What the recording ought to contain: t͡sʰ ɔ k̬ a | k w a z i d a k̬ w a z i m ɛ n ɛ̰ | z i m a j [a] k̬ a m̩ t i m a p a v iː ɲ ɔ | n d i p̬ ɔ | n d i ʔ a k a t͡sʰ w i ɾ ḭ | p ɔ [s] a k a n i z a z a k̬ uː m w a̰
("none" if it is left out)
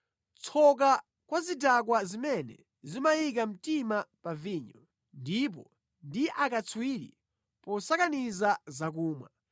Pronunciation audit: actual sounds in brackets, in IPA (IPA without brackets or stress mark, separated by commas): i, s